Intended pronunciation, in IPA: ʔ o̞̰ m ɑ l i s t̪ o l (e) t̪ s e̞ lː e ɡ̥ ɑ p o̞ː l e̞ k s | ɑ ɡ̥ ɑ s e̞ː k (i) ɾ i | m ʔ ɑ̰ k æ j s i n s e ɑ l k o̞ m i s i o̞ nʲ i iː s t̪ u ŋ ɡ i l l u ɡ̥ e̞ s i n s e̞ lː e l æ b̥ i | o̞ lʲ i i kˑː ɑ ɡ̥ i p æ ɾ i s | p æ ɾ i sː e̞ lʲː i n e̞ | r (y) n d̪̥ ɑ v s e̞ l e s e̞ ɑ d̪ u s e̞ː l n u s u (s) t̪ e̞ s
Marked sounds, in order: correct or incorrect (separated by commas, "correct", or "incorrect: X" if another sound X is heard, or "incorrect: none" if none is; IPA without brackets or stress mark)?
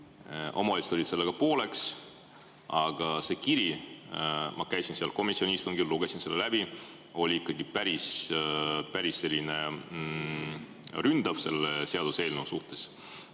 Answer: incorrect: i, correct, correct, incorrect: h